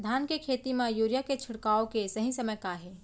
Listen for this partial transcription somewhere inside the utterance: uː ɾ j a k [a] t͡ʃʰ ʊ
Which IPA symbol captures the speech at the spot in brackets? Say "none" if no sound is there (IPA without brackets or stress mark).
e